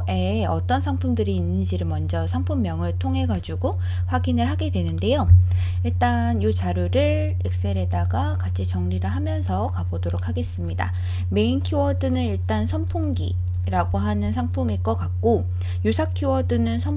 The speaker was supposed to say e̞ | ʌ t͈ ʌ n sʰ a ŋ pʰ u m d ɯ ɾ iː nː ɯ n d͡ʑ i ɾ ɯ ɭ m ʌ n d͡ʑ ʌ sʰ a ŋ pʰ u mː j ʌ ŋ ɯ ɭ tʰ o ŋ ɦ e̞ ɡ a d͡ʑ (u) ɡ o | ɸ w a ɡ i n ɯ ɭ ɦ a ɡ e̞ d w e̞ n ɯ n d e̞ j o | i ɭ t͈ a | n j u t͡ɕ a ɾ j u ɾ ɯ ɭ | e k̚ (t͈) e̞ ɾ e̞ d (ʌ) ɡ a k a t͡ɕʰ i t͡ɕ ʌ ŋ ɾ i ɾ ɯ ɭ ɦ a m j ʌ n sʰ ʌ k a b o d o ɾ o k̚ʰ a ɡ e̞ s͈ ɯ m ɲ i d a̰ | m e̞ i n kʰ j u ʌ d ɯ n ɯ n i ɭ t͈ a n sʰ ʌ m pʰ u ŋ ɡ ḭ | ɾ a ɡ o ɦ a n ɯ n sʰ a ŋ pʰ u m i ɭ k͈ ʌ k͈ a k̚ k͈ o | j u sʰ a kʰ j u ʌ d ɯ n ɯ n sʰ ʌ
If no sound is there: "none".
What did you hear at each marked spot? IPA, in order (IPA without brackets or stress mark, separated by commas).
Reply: u, s͈, a